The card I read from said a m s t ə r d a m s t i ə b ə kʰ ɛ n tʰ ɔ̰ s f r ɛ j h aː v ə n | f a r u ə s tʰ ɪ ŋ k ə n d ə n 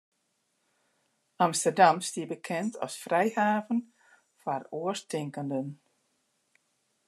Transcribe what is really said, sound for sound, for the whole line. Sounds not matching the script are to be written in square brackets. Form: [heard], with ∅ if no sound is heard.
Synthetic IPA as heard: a m s t ə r d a m s t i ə b ə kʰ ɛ n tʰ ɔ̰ s f r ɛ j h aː v ə n | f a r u ə s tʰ ɪ ŋ k ə n d ə n